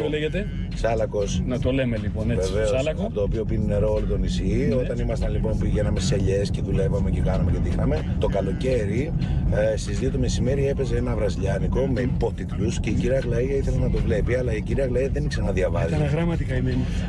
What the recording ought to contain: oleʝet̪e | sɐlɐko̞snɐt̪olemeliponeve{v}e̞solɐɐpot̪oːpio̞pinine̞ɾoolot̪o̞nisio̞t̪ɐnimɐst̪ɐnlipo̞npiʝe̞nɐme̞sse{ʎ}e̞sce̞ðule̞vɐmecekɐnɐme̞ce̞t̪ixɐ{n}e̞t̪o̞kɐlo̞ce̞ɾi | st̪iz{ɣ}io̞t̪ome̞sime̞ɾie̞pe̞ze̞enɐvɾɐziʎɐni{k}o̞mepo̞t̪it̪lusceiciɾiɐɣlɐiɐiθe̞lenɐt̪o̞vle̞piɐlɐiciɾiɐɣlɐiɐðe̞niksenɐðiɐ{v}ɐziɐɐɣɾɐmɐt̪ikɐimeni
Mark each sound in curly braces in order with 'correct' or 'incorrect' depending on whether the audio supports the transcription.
correct, correct, incorrect, incorrect, correct, correct

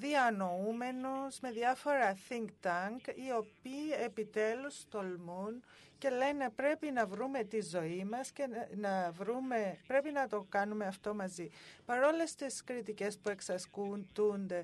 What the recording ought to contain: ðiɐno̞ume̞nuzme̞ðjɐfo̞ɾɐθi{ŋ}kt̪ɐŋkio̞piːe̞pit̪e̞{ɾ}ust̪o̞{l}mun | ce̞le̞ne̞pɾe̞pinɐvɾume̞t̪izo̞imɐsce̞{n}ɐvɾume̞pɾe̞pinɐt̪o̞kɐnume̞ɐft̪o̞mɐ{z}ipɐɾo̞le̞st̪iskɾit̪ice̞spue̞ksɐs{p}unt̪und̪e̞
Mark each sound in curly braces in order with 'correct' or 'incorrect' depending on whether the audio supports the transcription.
correct, incorrect, correct, correct, correct, incorrect

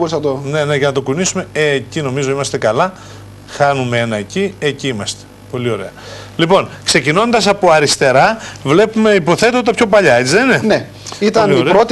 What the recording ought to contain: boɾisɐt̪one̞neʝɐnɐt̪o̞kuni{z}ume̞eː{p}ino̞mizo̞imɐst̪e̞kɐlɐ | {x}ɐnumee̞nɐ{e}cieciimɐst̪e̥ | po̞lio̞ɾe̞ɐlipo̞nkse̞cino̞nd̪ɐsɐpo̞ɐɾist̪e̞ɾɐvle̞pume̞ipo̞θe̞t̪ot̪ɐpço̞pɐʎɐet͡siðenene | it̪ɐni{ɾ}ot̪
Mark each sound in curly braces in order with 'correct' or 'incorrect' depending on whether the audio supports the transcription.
incorrect, incorrect, correct, correct, correct

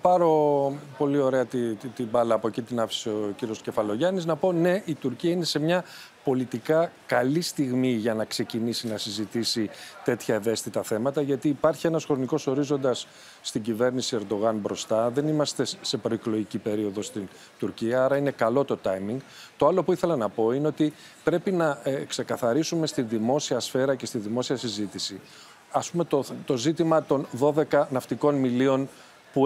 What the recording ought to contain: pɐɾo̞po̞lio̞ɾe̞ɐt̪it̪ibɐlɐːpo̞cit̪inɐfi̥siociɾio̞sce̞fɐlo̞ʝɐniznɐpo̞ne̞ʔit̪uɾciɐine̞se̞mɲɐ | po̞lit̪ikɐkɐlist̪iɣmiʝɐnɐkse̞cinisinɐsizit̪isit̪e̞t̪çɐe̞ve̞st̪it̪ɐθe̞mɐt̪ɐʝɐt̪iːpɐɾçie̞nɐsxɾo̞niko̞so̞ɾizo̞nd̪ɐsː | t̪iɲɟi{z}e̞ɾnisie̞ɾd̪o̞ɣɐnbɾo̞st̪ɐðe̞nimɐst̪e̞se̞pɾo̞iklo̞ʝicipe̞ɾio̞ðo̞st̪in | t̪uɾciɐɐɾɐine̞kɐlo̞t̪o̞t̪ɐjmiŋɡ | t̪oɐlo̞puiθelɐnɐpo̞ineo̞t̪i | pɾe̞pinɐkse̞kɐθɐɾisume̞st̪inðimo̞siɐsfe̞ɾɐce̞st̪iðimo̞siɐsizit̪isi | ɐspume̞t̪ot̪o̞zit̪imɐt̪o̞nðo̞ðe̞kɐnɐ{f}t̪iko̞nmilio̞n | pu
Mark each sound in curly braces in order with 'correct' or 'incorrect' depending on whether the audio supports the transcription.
incorrect, correct

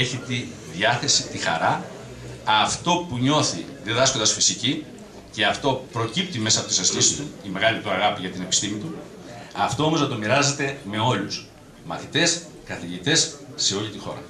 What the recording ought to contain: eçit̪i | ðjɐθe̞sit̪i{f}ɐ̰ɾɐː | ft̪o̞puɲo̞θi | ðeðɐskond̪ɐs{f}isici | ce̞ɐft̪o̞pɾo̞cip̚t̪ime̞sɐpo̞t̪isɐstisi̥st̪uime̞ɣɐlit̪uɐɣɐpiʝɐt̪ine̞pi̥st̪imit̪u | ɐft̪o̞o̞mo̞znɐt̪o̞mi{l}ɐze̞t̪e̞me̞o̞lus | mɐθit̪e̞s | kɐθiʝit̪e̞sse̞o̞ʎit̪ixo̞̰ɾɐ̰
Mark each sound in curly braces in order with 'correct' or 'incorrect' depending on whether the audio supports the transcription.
incorrect, correct, incorrect

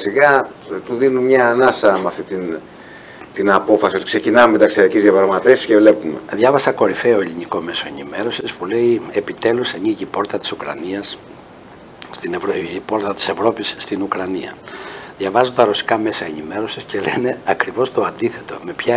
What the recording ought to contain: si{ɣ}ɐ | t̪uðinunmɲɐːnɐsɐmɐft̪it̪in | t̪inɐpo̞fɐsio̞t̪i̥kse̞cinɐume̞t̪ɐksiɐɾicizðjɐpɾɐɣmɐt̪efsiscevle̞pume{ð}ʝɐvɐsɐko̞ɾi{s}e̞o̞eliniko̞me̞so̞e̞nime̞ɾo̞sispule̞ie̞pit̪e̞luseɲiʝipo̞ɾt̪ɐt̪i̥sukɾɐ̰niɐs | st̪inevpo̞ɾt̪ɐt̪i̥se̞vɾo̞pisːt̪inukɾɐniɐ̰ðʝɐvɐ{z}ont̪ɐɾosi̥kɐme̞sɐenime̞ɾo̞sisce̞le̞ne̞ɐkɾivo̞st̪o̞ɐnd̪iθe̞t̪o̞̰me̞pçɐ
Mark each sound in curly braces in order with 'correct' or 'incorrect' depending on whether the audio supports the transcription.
correct, correct, incorrect, correct

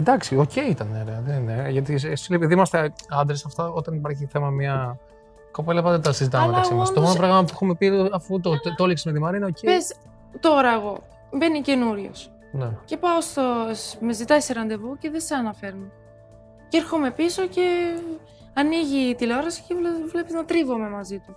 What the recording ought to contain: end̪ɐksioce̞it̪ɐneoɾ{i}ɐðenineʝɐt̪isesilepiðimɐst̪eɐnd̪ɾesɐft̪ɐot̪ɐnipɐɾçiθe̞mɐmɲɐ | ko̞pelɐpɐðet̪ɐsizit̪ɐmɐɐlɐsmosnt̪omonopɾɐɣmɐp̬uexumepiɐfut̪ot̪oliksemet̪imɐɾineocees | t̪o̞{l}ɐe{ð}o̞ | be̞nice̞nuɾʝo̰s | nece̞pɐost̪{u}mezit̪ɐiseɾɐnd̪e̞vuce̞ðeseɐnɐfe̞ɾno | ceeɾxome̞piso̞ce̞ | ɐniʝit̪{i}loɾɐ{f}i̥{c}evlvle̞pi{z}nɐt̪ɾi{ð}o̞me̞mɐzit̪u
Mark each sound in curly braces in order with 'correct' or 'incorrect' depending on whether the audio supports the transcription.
incorrect, incorrect, incorrect, incorrect, correct, incorrect, correct, correct, incorrect

